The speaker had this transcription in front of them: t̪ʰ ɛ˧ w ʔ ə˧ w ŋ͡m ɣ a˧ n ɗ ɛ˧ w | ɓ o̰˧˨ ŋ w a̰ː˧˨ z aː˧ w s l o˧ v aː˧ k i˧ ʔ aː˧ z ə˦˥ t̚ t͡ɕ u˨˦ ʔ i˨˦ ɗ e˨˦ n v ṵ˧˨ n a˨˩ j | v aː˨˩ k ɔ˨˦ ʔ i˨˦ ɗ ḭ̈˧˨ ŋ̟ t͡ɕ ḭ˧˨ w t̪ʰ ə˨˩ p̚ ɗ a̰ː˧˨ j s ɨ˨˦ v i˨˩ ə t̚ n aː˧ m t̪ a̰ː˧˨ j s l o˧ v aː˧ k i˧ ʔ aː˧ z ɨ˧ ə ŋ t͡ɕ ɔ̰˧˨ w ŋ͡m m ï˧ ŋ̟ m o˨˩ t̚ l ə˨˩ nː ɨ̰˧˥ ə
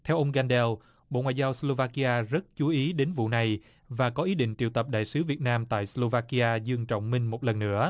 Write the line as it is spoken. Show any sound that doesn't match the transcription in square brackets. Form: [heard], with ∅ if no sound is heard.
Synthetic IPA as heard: t̪ʰ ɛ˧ w ʔ ə˧ w ŋ͡m ɣ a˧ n ɗ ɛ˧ w | ɓ o̰˧˨ ŋ w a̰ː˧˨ z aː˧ w s l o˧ v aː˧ k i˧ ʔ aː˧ z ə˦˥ t̚ t͡ɕ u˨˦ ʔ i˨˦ ɗ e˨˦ n v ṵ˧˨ n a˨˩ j | v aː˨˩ k ɔ˨˦ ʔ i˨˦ ɗ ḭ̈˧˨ ŋ̟ t͡ɕ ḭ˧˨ w [t̪] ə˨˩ p̚ ɗ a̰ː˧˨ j s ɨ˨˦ v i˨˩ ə t̚ n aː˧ m t̪ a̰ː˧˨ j s l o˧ v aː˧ k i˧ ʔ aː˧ z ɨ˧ ə ŋ t͡ɕ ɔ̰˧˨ w ŋ͡m m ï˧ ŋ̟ m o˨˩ t̚ l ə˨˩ nː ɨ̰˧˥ ə

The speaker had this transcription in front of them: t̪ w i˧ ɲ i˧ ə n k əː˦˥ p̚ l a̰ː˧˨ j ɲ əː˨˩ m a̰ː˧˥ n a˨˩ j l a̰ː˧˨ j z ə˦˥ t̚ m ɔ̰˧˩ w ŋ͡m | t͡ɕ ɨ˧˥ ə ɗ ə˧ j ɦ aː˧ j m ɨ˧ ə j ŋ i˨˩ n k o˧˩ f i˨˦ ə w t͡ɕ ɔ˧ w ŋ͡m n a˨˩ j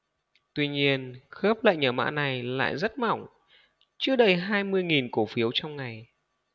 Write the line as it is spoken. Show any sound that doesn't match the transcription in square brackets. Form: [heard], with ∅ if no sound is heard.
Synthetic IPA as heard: t̪ w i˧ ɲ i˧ ə n [x] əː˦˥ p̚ l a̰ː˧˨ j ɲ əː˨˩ m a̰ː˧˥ n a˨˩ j l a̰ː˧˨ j z ə˦˥ t̚ m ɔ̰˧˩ w ŋ͡m | t͡ɕ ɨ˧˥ ə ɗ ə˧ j ɦ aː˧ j m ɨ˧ ə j ŋ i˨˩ n k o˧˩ f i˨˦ ə w t͡ɕ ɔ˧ w ŋ͡m [ŋ] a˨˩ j

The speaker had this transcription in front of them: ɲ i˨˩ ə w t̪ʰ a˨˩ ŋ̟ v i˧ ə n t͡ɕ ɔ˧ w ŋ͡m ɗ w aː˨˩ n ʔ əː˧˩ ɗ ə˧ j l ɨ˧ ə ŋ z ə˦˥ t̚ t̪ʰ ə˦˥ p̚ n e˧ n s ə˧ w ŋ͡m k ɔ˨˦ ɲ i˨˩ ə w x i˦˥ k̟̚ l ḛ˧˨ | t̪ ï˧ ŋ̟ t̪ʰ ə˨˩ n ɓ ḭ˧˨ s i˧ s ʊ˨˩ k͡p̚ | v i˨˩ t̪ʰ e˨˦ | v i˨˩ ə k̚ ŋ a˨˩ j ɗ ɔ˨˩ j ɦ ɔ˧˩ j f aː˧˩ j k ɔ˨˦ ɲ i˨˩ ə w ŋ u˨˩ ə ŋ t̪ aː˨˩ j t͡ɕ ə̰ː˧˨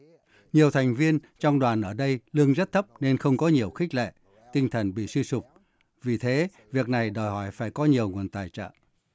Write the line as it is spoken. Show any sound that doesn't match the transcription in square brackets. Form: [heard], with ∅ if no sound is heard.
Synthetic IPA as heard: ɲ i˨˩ ə w t̪ʰ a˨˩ ŋ̟ v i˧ ə n t͡ɕ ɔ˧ w ŋ͡m ɗ w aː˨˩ n ʔ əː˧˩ ɗ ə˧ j l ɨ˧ ə ŋ z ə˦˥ t̚ t̪ʰ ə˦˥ p̚ n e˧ n [x] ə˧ w ŋ͡m k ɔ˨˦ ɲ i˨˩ ə w x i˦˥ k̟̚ l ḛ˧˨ | t̪ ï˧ ŋ̟ t̪ʰ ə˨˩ n ɓ ḭ˧˨ s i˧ s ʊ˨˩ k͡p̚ | v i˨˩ t̪ʰ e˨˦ | v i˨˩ ə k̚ [n] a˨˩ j ɗ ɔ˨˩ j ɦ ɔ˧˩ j f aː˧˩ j k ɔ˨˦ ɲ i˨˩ ə w ŋ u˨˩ ə [n] t̪ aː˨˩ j t͡ɕ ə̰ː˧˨

